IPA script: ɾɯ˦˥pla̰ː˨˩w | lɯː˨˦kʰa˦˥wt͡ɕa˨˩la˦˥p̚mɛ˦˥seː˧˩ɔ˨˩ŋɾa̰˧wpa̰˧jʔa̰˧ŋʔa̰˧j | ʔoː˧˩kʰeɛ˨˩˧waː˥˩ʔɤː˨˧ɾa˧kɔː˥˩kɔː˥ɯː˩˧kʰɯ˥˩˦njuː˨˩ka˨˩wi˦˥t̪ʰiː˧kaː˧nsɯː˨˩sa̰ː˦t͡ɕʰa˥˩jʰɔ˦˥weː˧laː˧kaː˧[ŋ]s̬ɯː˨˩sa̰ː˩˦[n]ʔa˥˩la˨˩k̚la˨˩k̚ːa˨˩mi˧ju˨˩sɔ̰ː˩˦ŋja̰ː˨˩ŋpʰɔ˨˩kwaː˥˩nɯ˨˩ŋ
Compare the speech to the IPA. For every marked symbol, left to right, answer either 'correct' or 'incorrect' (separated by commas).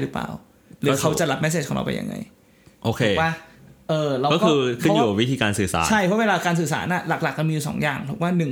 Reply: incorrect, correct